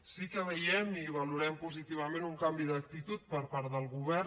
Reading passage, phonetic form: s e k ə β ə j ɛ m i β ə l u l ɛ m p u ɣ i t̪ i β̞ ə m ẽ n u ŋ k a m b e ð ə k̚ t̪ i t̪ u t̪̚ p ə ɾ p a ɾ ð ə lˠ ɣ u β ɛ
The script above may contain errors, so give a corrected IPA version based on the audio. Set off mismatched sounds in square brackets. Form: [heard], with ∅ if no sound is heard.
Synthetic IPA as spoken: s [i] k ə β ə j ɛ m i β ə l u [ɾ] ɛ m p u [z] i t̪ i β̞ ə m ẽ n u ŋ k a m b [i] ð ə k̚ t̪ i t̪ u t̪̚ p ə ɾ p a ɾ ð ə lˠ ɣ u β ɛ